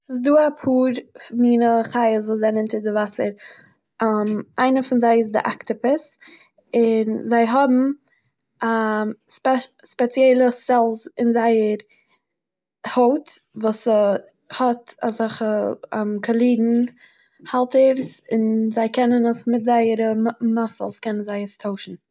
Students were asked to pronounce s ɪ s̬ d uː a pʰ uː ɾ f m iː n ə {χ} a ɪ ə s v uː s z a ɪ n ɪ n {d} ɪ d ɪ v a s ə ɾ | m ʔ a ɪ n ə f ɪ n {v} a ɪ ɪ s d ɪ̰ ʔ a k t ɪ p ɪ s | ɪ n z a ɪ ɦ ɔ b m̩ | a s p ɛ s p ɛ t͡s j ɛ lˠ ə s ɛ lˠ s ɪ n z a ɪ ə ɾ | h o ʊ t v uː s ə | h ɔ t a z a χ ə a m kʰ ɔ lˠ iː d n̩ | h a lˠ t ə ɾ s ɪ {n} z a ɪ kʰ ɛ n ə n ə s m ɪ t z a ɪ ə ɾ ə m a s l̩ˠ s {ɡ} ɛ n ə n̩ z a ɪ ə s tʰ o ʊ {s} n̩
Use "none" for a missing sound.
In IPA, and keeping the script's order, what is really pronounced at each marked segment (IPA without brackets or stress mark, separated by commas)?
χ, t, z, n, k, ʃ